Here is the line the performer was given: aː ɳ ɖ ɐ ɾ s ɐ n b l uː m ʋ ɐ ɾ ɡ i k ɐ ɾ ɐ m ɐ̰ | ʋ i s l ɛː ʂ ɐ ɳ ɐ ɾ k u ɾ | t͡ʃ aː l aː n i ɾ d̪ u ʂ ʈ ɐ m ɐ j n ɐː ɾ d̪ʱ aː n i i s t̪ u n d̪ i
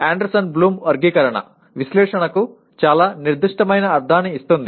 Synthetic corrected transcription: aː ɳ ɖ ɐ ɾ s ɐ n b l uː m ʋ ɐ ɾ ɡ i k ɐ ɾ ɐ ɳ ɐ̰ | ʋ i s l ɛː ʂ ɐ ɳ ɐ k u | t͡ʃ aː l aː n i ɾ d̪ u ʂ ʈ ɐ m ɐ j n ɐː ɾ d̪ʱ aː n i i s t̪ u n d̪ i